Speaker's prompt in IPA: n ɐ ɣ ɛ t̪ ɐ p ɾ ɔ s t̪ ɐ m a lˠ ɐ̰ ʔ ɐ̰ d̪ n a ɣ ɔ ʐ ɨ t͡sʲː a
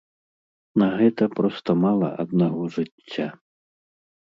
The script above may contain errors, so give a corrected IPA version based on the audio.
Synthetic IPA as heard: n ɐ ɣ ɛ t̪ ɐ p ɾ ɔ s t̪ ɐ m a lˠ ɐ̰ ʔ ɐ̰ d̪ n a ɣ ɔ ʐ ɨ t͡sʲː a